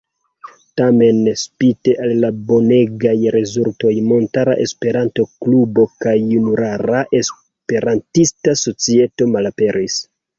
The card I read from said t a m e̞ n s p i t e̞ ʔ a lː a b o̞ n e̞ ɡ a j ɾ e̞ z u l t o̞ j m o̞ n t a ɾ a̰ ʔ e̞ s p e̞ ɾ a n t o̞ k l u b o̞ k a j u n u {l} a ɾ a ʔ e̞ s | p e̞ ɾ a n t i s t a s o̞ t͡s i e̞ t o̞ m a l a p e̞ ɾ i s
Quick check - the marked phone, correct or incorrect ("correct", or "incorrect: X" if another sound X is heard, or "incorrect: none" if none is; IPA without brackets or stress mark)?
incorrect: ɾ